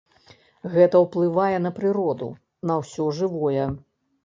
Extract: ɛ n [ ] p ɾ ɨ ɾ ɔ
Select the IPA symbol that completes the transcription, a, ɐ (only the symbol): ɐ